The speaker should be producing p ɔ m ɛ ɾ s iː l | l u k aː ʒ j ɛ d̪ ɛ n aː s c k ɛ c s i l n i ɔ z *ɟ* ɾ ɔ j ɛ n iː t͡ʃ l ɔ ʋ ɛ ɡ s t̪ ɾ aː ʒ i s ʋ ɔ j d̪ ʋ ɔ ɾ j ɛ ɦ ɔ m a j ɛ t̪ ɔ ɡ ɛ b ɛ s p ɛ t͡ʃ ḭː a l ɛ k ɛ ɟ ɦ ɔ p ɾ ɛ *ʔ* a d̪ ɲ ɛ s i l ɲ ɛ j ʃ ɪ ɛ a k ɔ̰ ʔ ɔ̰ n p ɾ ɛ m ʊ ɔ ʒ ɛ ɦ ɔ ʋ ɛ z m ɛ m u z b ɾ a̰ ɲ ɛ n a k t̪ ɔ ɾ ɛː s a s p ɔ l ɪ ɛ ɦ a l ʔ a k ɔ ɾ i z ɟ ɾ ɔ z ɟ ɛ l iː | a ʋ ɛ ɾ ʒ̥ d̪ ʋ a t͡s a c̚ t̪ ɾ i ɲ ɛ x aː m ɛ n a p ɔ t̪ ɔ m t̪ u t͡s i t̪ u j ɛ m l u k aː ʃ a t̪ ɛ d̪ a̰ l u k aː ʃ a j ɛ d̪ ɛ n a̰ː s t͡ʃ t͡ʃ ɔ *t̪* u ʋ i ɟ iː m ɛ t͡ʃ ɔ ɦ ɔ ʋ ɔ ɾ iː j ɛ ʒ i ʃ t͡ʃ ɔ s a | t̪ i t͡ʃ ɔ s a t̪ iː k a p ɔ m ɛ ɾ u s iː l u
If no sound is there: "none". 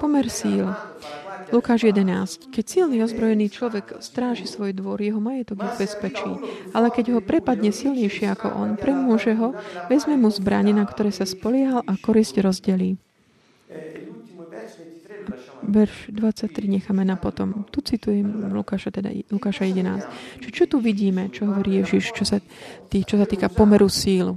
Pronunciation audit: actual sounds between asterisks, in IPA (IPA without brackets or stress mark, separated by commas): b, p, t̪